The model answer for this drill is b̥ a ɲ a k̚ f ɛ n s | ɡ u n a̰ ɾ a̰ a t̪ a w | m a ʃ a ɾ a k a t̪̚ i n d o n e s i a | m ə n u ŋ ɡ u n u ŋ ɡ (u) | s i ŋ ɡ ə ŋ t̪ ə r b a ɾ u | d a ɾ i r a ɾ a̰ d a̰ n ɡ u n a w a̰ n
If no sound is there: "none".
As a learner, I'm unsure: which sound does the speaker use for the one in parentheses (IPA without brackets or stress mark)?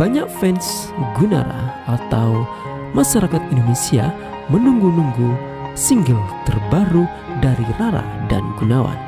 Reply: u